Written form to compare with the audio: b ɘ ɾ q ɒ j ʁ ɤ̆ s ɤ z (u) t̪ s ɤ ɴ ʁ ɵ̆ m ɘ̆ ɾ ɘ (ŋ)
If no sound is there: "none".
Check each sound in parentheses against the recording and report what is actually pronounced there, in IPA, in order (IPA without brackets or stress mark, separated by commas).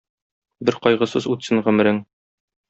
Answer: u, ŋ